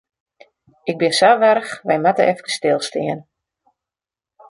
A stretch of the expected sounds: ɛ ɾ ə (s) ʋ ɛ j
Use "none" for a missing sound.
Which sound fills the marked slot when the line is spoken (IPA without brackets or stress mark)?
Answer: x